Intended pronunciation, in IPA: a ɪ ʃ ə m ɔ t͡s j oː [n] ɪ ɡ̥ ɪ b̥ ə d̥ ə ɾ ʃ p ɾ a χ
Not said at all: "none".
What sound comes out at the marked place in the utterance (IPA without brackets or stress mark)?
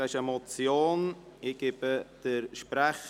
n